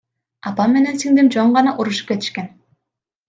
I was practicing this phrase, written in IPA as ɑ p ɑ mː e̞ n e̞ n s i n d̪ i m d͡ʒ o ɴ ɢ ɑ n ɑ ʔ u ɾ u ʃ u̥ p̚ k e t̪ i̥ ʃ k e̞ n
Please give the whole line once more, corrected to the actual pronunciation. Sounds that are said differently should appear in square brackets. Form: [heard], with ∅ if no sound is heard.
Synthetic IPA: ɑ p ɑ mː e̞ n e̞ n s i [ŋ] d̪ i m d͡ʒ o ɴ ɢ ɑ n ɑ ʔ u ɾ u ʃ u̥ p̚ k e t̪ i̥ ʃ k e̞ n